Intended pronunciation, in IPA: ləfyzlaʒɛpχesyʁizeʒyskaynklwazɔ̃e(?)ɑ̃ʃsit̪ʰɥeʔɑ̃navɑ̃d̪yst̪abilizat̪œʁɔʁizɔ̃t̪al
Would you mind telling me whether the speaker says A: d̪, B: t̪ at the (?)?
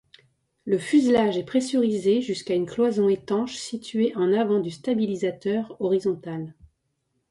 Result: B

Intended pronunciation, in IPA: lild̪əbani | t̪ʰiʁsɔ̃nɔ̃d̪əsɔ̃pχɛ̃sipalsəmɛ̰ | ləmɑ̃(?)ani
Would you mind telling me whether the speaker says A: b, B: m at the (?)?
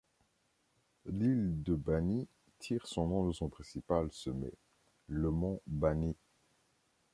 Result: A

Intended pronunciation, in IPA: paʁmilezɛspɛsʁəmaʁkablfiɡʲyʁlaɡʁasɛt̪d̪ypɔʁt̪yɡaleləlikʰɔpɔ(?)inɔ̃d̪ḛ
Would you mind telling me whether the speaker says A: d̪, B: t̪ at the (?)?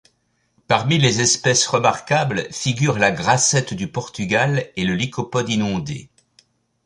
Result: A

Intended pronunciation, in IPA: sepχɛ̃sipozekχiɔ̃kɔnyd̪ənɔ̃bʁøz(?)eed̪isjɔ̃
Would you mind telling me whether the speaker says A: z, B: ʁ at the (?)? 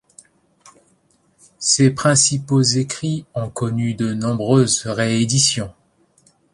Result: B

